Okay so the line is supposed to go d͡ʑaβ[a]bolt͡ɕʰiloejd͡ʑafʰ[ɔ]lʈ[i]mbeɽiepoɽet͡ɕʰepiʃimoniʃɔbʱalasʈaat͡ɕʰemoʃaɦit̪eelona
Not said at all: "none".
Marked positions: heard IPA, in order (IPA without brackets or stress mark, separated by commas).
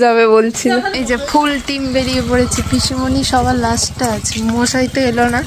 e, u, i